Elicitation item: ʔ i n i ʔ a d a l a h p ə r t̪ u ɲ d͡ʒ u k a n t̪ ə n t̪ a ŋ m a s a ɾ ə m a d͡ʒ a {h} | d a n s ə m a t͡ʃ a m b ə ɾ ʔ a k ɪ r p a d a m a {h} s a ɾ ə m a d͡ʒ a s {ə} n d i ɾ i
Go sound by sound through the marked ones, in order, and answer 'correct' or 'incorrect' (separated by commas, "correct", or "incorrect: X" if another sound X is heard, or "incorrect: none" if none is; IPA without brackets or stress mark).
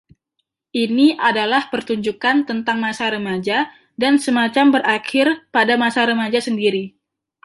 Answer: incorrect: none, incorrect: none, correct